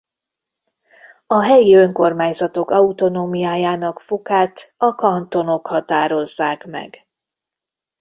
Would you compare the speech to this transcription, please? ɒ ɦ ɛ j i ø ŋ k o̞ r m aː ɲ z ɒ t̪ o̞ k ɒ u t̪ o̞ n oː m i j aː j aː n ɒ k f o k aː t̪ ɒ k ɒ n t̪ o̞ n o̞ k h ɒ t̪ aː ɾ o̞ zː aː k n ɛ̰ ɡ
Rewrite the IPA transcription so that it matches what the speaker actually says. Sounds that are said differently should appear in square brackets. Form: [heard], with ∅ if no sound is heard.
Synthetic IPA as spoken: ɒ ɦ ɛ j i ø ŋ k o̞ r m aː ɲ z ɒ t̪ o̞ k ɒ u t̪ o̞ n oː m i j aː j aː n ɒ k f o k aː t̪ ɒ k ɒ n t̪ o̞ n o̞ k h ɒ t̪ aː ɾ o̞ zː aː k [m] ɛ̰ ɡ